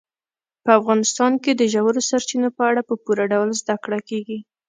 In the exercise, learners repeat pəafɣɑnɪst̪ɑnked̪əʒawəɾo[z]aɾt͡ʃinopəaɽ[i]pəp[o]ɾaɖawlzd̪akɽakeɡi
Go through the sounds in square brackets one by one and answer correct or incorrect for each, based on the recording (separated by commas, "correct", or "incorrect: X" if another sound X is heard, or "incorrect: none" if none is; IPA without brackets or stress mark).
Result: incorrect: s, incorrect: a, incorrect: u